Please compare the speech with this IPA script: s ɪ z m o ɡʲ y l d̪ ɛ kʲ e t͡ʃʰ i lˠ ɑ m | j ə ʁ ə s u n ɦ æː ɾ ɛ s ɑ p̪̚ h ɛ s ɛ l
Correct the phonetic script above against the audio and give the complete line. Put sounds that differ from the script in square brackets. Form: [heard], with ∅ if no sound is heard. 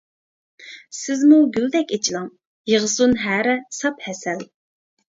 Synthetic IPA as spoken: s ɪ z m [u] ɡʲ y l d̪ ɛ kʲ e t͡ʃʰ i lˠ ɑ [ŋ] | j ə ʁ ə s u n ɦ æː ɾ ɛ s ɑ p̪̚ h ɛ s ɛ l